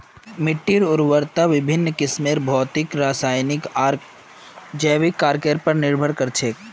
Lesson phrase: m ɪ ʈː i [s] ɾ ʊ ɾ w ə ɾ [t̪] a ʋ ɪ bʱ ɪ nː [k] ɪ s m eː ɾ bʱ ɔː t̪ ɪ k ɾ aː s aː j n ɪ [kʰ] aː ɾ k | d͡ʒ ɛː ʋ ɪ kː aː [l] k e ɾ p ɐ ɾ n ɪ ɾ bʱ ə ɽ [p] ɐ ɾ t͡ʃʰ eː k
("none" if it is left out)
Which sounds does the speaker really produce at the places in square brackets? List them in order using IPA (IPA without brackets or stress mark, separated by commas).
none, t̪, k, k, ɾ, k